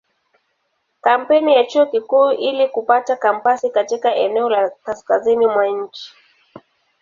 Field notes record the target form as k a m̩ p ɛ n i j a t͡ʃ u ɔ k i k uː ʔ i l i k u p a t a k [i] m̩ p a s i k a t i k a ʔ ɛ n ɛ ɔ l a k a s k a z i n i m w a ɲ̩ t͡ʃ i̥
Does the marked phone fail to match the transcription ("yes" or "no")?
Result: yes